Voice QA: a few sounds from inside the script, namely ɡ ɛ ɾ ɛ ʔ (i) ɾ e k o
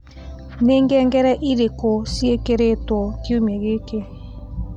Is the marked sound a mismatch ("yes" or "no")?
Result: no